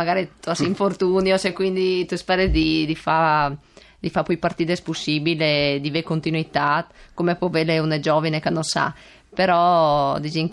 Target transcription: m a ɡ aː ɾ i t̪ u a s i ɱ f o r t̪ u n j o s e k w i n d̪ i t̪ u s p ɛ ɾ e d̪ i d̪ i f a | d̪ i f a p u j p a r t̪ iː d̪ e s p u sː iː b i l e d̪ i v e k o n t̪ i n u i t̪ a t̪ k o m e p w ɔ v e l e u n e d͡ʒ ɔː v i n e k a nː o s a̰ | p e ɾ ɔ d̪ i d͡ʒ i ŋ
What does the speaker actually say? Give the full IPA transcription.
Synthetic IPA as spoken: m a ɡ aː ɾ i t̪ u a s i ɱ f o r t̪ u n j o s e k w i n d̪ i t̪ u s p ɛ ɾ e d̪ i d̪ i f a | d̪ i f a p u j p a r t̪ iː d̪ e s p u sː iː b i l e d̪ i v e k o n t̪ i n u i t̪ a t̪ k o m e p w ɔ v e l e u n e d͡ʒ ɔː v i n e k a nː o s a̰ | p e ɾ ɔ d̪ i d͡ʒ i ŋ